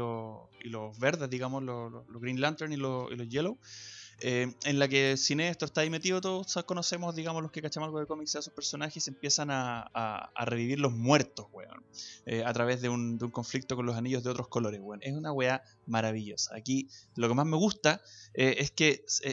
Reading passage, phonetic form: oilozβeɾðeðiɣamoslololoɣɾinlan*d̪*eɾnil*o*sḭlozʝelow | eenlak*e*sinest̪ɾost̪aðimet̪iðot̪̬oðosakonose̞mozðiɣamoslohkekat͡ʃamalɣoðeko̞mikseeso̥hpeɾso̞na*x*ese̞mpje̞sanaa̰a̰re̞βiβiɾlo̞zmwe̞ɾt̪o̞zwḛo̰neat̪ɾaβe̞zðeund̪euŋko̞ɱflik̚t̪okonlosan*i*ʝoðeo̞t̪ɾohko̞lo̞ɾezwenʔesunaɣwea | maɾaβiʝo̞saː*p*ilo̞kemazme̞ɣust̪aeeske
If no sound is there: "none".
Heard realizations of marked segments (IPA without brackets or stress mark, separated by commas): t̪, o, e, x, i, k